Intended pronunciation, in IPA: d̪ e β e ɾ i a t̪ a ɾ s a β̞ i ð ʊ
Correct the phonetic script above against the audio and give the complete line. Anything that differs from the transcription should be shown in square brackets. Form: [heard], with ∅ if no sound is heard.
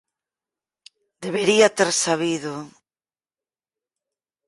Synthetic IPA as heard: d̪ e β e ɾ i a t̪ [e] ɾ s a β̞ i ð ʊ